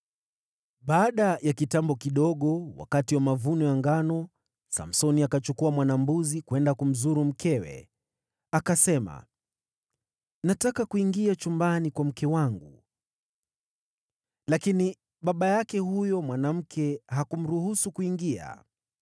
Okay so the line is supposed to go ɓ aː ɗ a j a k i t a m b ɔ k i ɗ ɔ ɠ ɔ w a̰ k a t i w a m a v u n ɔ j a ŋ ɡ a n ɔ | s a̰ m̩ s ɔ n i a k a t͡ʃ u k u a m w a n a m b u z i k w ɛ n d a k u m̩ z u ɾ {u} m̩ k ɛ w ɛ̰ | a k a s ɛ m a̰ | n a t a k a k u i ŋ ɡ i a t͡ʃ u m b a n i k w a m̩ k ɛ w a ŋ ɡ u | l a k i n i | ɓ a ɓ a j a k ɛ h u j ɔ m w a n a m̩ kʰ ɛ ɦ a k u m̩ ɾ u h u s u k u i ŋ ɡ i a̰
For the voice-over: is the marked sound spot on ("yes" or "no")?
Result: yes